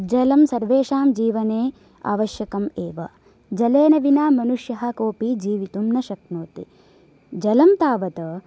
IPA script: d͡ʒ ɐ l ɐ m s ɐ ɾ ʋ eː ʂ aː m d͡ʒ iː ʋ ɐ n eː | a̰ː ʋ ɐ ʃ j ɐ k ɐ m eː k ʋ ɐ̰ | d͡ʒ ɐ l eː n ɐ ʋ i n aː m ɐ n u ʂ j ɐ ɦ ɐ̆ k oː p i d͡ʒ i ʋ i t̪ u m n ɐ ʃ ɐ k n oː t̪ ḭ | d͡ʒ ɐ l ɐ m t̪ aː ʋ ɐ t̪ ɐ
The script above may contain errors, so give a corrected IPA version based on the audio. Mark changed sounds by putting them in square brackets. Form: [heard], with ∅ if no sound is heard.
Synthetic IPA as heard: d͡ʒ ɐ l ɐ m s ɐ ɾ ʋ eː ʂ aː m d͡ʒ iː ʋ ɐ n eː | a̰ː ʋ ɐ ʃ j ɐ k ɐ m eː [∅] ʋ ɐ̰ | d͡ʒ ɐ l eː n ɐ ʋ i n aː m ɐ n u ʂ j ɐ ɦ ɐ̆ k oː p i d͡ʒ [iː] ʋ i t̪ u m n ɐ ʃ ɐ k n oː t̪ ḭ | d͡ʒ ɐ l ɐ m t̪ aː ʋ ɐ t̪ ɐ

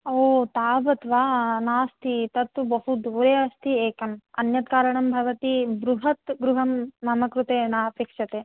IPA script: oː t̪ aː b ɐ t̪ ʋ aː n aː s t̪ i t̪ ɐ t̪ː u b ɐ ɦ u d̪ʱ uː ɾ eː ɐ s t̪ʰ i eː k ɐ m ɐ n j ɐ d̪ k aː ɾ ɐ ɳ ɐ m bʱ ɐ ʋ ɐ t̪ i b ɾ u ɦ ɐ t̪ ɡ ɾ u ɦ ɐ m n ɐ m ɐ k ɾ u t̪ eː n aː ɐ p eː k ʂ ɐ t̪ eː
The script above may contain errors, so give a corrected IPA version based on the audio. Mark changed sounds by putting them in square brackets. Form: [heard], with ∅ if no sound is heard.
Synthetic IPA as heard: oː t̪ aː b ɐ t̪ ʋ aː n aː s t̪ i t̪ ɐ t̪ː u b ɐ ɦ u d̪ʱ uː ɾ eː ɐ s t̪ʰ i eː k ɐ m ɐ n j ɐ [t̪] k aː ɾ ɐ ɳ ɐ m bʱ ɐ ʋ ɐ t̪ i b ɾ u ɦ ɐ t̪ ɡ ɾ u ɦ ɐ m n ɐ m ɐ k ɾ u t̪ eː n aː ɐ p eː k ʂ ɐ t̪ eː

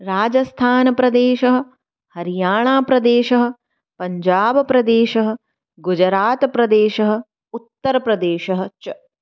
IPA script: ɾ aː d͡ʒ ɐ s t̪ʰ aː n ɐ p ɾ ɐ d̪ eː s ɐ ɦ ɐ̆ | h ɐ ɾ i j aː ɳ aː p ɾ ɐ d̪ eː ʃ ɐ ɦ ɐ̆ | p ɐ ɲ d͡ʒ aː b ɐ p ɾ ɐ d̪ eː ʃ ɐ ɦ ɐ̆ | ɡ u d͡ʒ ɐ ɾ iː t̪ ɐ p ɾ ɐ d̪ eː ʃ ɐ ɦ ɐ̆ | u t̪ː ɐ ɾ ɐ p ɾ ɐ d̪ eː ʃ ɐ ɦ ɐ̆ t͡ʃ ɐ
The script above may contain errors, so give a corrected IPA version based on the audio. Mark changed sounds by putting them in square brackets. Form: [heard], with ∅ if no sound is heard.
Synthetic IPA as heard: ɾ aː d͡ʒ ɐ s t̪ʰ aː n ɐ p ɾ ɐ d̪ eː [ʃ] ɐ ɦ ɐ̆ | h ɐ ɾ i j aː ɳ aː p ɾ ɐ d̪ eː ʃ ɐ ɦ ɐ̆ | p ɐ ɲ d͡ʒ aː b ɐ p ɾ ɐ d̪ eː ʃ ɐ ɦ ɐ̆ | ɡ u d͡ʒ ɐ ɾ [aː] t̪ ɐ p ɾ ɐ d̪ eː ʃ ɐ ɦ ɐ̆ | u t̪ː ɐ ɾ ɐ p ɾ ɐ d̪ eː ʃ ɐ ɦ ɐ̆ t͡ʃ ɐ

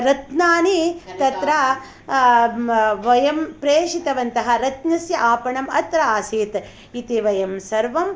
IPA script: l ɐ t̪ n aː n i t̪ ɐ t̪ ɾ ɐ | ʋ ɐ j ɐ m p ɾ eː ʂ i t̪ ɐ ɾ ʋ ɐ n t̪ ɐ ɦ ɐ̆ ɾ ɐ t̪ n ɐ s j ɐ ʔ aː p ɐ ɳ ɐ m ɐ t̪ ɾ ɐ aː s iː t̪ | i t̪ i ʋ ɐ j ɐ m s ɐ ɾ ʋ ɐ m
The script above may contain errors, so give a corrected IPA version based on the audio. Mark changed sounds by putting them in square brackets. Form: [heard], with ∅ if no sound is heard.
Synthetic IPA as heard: [ɾ] ɐ t̪ n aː n i t̪ ɐ t̪ ɾ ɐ | ʋ ɐ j ɐ m p ɾ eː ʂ i t̪ ɐ [∅] ʋ ɐ n t̪ ɐ ɦ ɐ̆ ɾ ɐ t̪ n ɐ s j ɐ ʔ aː p ɐ ɳ ɐ m ɐ t̪ ɾ ɐ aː s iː t̪ | i t̪ i ʋ ɐ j ɐ m s ɐ ɾ ʋ ɐ m

